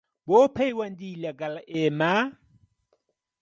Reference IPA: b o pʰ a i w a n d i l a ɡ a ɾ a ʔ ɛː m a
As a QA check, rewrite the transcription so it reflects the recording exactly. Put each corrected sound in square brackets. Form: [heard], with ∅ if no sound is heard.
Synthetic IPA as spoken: b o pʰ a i w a n d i l a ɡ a [l] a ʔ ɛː m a